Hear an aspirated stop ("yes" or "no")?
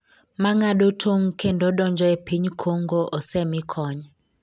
yes